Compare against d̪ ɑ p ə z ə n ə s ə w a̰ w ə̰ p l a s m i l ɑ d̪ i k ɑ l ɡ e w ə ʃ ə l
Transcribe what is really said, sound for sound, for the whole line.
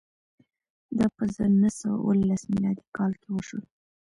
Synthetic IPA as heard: d̪ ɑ p ə z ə n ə s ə w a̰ w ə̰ l a s m i l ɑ d̪ i k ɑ l k e w ə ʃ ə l